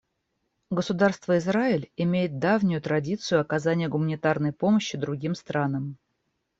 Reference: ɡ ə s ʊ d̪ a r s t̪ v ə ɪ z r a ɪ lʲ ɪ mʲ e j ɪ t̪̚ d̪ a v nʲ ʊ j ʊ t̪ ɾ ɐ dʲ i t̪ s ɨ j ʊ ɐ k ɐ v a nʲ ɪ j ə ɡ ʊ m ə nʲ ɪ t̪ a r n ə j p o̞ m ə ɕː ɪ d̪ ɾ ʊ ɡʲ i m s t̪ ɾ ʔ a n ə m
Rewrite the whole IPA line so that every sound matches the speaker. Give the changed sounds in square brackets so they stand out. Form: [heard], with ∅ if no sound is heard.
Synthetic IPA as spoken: ɡ ə s ʊ d̪ a r s t̪ v ə ɪ z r a ɪ lʲ ɪ mʲ e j ɪ t̪̚ d̪ a v nʲ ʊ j ʊ t̪ ɾ ɐ dʲ i t̪ s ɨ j ʊ ɐ k ɐ [z] a nʲ ɪ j ə ɡ ʊ m ə nʲ ɪ t̪ a r n ə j p o̞ m ə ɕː ɪ d̪ ɾ ʊ ɡʲ i m s t̪ ɾ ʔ a n ə m